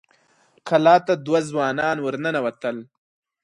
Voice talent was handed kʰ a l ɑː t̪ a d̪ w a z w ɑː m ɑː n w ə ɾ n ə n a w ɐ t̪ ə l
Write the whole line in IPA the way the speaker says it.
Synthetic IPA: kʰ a l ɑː t̪ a d̪ w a z w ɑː n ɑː n w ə ɾ n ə n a w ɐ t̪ ə l